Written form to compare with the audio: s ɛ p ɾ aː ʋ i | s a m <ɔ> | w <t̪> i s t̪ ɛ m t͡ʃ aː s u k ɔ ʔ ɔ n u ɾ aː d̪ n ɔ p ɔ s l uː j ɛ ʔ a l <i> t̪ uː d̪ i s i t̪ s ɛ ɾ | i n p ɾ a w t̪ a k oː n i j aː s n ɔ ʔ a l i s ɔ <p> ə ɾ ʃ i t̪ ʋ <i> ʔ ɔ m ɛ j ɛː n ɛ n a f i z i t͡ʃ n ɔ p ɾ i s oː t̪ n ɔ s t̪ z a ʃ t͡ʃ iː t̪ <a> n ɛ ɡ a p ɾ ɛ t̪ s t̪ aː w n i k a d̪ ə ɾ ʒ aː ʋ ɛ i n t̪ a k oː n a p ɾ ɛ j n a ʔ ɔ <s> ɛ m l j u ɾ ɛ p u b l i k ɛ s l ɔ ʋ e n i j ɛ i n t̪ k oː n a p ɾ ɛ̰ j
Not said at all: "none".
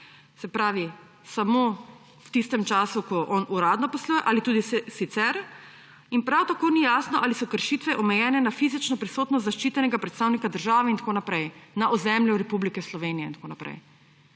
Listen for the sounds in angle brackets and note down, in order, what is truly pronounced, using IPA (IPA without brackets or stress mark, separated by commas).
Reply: o, t̪, i, k, ɛ, ɛ, z